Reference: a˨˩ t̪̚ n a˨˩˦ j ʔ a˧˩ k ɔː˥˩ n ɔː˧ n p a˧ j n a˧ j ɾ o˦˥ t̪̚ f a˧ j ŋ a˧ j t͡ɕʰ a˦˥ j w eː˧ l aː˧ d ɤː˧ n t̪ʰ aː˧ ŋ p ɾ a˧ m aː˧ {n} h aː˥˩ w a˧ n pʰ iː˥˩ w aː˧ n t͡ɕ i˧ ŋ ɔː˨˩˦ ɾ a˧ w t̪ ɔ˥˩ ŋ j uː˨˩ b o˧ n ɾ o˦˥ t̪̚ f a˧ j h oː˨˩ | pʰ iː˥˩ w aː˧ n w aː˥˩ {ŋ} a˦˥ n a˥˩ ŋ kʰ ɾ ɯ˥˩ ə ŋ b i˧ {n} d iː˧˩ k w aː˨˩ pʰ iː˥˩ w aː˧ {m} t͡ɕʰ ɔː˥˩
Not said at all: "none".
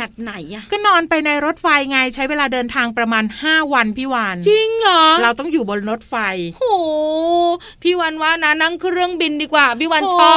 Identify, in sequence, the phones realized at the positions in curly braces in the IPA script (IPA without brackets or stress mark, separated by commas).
n, n, n, n